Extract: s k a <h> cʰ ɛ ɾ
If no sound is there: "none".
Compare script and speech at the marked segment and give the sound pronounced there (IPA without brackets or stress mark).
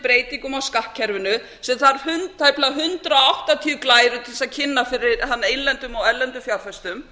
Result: h